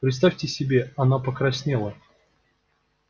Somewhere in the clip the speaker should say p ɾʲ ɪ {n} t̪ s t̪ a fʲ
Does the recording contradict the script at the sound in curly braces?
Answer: yes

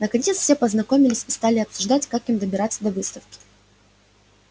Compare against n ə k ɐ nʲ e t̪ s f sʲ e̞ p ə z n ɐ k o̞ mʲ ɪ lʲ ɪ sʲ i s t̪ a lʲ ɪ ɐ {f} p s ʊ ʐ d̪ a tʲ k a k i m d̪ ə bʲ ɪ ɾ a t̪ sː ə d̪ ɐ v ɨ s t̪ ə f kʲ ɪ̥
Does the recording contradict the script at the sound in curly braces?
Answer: yes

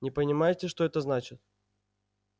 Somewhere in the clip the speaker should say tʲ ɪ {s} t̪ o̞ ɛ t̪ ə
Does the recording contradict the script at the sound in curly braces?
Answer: yes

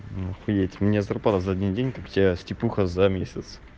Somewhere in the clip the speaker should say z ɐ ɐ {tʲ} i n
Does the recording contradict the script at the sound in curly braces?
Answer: yes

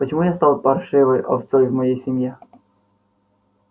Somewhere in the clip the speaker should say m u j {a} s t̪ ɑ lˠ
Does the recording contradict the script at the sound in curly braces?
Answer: no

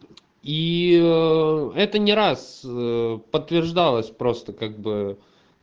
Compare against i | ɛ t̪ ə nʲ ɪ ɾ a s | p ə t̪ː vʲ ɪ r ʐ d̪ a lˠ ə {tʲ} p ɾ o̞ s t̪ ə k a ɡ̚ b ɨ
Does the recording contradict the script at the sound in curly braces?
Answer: yes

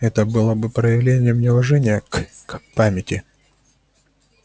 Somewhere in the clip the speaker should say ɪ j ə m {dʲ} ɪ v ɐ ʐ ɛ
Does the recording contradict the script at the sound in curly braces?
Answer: yes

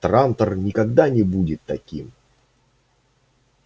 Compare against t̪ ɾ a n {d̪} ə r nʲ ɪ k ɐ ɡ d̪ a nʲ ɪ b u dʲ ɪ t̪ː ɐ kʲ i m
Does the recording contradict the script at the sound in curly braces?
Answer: yes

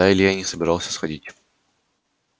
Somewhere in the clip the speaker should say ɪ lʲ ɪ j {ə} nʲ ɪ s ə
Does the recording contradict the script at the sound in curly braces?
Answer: yes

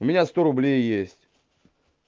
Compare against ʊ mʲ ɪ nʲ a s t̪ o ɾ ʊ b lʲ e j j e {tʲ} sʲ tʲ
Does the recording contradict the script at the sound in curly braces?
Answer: yes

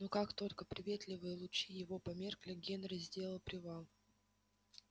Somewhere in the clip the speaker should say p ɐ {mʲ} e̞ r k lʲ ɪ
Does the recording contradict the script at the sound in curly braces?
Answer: no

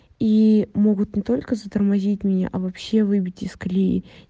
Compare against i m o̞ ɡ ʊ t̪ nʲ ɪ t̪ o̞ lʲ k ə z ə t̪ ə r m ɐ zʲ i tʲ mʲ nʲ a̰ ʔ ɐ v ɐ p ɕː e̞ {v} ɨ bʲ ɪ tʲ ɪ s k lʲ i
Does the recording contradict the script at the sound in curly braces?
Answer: no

